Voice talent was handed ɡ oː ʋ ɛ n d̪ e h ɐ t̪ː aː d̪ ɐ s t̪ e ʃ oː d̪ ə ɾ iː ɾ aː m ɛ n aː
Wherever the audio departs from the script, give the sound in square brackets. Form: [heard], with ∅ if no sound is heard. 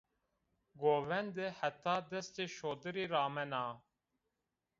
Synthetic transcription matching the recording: ɡ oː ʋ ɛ n d̪ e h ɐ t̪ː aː d̪ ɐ s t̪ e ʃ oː d̪ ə ɾ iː ɾ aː m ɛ n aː